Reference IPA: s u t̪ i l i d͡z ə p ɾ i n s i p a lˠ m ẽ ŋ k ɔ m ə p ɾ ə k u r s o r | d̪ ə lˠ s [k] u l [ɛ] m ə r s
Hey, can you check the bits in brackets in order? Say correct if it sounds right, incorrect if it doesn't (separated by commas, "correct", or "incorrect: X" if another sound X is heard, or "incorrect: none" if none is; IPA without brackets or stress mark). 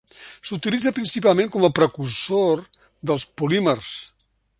incorrect: p, incorrect: i